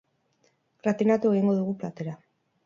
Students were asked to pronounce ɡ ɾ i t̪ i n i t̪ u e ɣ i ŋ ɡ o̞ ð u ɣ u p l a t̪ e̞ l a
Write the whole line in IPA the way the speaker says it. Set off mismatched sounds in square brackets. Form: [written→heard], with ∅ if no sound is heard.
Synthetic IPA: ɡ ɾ [i→a] t̪ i n [i→a] t̪ u e ɣ i ŋ ɡ o̞ ð u ɣ u p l a t̪ e̞ [l→ɾ] a